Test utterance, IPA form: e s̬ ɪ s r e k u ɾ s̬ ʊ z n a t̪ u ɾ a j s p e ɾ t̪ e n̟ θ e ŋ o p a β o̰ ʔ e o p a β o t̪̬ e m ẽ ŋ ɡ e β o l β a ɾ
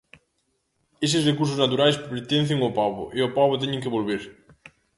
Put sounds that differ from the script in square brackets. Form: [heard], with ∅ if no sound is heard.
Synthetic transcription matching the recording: e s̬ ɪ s r e k u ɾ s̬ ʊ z n a t̪ u ɾ a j s p e ɾ t̪ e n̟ θ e ŋ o p a β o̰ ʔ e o p a β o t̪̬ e [ɲ] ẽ ŋ [k] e β o l β [e] ɾ